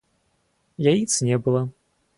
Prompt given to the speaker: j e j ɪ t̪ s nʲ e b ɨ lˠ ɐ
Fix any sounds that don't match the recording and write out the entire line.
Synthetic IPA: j a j i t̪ s nʲ ɛ b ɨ lˠ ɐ